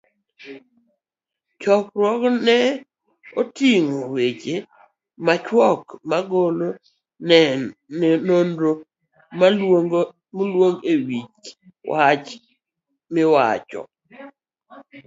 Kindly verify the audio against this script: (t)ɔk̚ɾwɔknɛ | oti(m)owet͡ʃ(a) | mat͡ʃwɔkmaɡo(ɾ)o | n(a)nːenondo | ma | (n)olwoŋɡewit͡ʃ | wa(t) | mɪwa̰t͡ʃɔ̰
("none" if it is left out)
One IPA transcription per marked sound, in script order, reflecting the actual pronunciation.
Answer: t͡ʃ, ŋ, e, l, ɛ, m, t͡ʃ

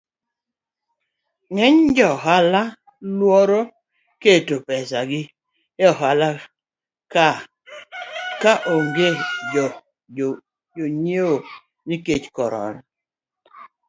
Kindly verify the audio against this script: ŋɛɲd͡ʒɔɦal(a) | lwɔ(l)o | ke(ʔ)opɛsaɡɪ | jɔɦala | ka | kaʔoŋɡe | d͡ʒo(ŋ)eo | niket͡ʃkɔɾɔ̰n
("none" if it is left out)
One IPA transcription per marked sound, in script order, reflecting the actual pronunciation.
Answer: a, ɾ, t, ɲ

